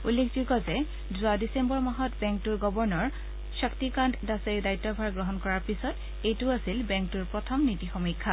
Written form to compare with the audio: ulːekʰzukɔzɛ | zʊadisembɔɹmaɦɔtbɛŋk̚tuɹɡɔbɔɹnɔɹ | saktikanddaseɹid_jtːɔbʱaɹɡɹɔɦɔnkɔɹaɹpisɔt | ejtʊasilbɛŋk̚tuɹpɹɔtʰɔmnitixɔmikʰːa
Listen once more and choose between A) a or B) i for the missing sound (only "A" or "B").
A